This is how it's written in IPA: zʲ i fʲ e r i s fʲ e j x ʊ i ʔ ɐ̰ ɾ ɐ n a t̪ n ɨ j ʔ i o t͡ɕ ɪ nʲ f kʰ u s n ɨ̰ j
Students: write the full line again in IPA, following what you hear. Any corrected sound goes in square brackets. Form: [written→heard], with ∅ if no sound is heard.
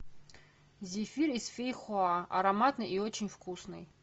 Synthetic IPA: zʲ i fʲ [e→i] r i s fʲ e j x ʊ [i→a] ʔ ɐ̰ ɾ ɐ [n→m] a t̪ n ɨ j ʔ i o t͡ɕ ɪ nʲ f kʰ u s n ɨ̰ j

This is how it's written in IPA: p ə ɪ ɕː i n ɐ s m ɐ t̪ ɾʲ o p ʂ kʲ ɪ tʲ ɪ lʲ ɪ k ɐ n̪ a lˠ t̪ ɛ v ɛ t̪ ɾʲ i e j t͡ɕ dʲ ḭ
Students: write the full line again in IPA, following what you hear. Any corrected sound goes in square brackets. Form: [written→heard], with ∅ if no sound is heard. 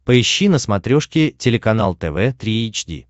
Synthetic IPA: p ə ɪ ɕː i n [ɐ→ə] s m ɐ t̪ ɾʲ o [p→∅] ʂ kʲ ɪ tʲ ɪ lʲ ɪ k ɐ n̪ a lˠ t̪ ɛ v ɛ t̪ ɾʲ i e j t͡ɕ dʲ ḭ

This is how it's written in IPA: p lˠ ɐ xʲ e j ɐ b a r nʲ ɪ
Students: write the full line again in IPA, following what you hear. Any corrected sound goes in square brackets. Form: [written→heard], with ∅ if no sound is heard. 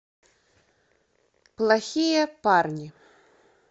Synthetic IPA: p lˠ [ɐ→a] xʲ [e→i] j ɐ [b→p] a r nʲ [ɪ→i]

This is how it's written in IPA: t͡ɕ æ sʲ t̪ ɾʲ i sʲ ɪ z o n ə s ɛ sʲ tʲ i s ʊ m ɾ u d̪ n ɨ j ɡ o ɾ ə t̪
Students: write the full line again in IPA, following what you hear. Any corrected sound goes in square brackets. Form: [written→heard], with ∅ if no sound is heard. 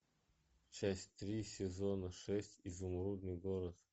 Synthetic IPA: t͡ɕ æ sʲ t̪ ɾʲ i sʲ ɪ z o n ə [s→ʂ] ɛ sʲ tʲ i [s→z] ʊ m ɾ u d̪ n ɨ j ɡ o ɾ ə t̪

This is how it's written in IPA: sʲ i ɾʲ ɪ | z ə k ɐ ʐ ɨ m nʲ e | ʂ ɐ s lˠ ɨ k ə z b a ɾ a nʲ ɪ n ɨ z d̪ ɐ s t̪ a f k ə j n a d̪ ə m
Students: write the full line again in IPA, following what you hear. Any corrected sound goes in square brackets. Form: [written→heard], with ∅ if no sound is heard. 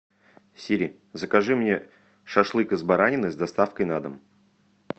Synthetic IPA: sʲ i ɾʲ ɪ | z ə k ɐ ʐ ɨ m nʲ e | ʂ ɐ [s→ʂ] lˠ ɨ k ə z b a ɾ a nʲ ɪ n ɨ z d̪ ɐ s t̪ a f k ə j n a d̪ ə m

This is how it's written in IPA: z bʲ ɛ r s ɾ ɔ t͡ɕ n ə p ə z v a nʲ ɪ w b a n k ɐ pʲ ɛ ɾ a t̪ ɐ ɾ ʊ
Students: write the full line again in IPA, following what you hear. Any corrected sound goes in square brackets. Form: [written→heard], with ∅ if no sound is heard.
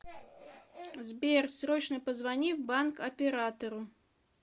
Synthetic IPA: z bʲ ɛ r s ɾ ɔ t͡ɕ n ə p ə z v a nʲ [ɪ→i] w b a n k ɐ pʲ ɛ ɾ a t̪ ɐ ɾ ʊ

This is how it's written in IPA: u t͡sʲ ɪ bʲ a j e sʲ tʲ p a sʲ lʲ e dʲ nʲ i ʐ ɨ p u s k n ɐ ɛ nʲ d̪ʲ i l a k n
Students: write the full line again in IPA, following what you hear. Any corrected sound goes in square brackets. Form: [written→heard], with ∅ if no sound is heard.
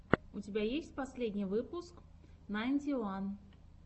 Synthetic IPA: u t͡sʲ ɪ bʲ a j e sʲ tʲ p a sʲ lʲ e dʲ nʲ i [ʐ→v] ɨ p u s k n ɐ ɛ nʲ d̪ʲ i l a [k→∅] n

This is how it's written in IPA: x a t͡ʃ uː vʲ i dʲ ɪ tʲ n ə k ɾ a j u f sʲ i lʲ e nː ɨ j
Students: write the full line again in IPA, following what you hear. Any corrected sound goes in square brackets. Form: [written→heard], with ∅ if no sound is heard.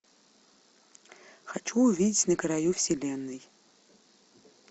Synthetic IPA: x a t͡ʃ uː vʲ i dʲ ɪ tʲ n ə k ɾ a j u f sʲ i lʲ e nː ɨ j

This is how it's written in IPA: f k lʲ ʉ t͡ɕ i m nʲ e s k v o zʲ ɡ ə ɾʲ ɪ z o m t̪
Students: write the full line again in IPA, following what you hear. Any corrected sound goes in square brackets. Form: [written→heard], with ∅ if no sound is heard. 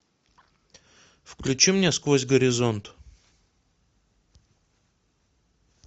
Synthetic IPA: f k lʲ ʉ t͡ɕ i m nʲ e s k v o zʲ ɡ ə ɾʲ ɪ z o [m→n] t̪

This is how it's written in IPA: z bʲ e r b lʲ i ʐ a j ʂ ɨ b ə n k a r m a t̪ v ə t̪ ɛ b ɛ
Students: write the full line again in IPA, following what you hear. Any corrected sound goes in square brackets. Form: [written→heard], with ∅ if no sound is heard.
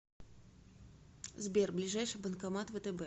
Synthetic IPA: z bʲ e r b lʲ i ʐ a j ʂ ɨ b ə n k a [r→∅] m a t̪ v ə t̪ ɛ b ɛ

